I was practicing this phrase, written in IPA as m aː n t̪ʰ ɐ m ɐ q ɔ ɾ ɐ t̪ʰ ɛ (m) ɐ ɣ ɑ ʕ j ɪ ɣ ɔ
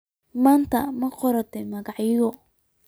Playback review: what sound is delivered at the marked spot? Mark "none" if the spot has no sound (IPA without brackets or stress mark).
m